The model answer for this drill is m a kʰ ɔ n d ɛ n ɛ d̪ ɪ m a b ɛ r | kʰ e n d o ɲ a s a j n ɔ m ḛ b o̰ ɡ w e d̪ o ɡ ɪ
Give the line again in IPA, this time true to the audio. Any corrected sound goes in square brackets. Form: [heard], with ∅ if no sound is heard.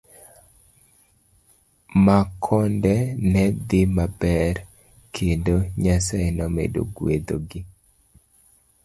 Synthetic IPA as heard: m a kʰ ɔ n d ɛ n ɛ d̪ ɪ m a b ɛ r | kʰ e n d o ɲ a s a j n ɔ m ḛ [d] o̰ ɡ w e d̪ o ɡ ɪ

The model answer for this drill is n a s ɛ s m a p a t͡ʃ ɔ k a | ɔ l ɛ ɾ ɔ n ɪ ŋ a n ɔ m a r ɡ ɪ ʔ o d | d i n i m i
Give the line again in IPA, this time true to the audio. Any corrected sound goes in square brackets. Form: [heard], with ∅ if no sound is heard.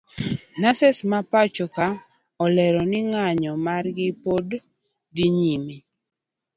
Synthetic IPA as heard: n a s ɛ s m a p a t͡ʃ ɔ k a | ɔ l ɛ ɾ ɔ n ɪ ŋ a [ɲ] ɔ m a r ɡ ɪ [p] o d | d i [ɲ] i m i

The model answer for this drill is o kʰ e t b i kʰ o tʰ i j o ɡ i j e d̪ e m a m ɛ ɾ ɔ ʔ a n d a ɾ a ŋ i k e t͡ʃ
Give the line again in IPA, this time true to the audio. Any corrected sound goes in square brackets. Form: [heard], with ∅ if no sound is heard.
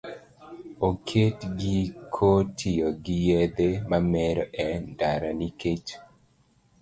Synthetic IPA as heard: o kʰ e t [ɡ] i kʰ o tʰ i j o ɡ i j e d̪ e m a m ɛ ɾ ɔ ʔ [ɛ] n d a ɾ a [n] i k e t͡ʃ

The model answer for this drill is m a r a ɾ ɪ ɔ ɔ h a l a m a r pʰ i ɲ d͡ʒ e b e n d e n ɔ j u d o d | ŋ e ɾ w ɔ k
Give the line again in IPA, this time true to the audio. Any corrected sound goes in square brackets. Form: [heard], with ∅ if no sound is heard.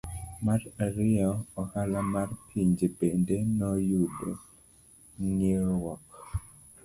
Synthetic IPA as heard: m a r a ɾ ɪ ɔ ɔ h a l a m a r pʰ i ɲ d͡ʒ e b e n d e n ɔ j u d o [∅] | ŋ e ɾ w ɔ k

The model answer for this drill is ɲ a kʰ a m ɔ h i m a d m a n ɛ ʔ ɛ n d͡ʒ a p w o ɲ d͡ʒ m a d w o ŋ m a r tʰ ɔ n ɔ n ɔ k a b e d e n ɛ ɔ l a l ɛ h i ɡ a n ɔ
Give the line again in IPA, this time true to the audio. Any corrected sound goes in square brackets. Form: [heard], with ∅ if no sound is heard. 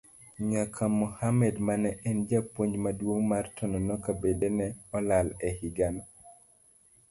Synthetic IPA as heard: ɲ a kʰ a m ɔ h [a] m [ɛ] d m a n ɛ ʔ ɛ n d͡ʒ a p w o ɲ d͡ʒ m a d w o ŋ m a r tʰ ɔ n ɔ n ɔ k a b e d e n ɛ ɔ l a l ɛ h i ɡ a n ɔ

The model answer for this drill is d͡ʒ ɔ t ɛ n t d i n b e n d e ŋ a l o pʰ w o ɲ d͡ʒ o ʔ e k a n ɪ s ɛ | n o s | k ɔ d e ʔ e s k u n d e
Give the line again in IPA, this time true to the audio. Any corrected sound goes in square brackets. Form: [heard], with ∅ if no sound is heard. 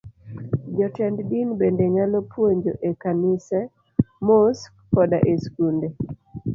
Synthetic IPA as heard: d͡ʒ ɔ t ɛ n [d] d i n b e n d e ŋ a l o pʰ w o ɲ d͡ʒ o ʔ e k a n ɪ s ɛ | [m] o s | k ɔ d [a] ʔ e s k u n d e

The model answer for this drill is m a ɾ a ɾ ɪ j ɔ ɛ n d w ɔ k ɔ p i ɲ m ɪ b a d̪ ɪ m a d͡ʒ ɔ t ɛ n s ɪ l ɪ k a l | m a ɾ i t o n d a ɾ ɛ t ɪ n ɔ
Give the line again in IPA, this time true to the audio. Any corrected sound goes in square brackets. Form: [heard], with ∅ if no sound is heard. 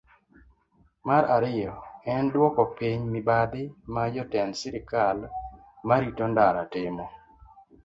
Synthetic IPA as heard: m a ɾ a ɾ ɪ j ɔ ɛ n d w ɔ k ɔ p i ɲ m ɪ b a d̪ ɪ m a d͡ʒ ɔ t ɛ n s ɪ [ɾ] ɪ k a l | m a ɾ i t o n d a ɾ [a] t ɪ [m] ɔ

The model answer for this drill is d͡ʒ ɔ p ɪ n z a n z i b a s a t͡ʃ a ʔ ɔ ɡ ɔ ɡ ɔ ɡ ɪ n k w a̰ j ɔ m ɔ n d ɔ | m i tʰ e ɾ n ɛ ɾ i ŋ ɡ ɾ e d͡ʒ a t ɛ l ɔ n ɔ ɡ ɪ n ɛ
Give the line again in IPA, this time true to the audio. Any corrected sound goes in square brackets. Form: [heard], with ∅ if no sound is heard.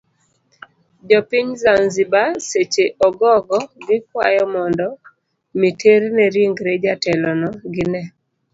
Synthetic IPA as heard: d͡ʒ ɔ p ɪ [ɲ] z a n z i b a s [e] t͡ʃ [e] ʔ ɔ ɡ ɔ ɡ ɔ ɡ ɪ [∅] k w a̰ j ɔ m ɔ n d ɔ | m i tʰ e ɾ n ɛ ɾ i ŋ ɡ ɾ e d͡ʒ a t ɛ l ɔ n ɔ ɡ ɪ n ɛ

